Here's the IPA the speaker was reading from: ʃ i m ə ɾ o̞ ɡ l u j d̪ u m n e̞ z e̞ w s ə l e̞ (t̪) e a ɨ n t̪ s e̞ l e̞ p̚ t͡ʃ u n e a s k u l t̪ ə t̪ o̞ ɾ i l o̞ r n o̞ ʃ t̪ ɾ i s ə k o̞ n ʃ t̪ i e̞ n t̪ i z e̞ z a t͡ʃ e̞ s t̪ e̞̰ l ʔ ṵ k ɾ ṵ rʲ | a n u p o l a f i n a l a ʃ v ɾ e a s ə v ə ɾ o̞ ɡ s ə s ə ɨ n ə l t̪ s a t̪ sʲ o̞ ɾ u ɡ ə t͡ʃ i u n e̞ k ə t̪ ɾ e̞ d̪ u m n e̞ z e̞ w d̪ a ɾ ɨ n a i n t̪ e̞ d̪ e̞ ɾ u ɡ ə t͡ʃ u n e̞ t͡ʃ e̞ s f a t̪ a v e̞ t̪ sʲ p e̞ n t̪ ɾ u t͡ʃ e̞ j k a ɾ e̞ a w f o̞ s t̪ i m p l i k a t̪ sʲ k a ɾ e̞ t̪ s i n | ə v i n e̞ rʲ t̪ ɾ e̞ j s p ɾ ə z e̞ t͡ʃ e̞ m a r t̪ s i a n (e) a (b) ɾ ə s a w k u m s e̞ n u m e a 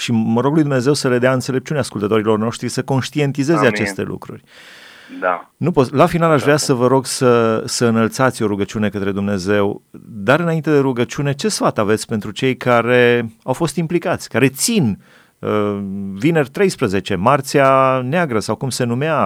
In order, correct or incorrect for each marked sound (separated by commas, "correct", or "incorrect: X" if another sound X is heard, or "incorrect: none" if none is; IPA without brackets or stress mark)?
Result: incorrect: d̪, correct, incorrect: ɡ